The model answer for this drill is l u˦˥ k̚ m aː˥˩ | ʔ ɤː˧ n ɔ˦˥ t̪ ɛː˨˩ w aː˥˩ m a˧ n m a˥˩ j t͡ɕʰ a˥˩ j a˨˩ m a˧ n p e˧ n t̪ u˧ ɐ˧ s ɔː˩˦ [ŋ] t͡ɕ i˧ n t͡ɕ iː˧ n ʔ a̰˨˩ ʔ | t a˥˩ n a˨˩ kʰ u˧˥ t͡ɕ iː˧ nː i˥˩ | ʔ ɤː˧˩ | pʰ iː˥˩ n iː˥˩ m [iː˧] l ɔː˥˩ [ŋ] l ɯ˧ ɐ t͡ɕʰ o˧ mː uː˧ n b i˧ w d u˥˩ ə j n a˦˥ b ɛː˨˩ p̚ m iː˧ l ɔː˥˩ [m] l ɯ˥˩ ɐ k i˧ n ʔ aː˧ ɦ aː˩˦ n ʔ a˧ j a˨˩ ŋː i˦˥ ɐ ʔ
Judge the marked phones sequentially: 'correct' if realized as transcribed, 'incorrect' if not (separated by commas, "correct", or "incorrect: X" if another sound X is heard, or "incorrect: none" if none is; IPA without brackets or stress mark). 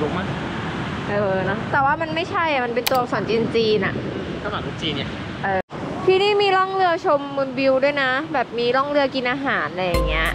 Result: incorrect: n, correct, correct, incorrect: ŋ